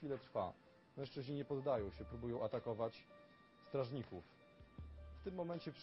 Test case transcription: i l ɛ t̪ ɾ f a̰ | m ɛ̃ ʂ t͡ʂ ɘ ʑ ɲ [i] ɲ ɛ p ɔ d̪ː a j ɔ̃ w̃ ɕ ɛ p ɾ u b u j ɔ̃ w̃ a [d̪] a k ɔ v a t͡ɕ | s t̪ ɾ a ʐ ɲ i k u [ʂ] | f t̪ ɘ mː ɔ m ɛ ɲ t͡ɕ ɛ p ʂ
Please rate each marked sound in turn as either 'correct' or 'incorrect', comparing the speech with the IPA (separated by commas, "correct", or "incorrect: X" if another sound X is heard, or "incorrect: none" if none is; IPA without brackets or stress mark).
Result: correct, incorrect: t̪, incorrect: f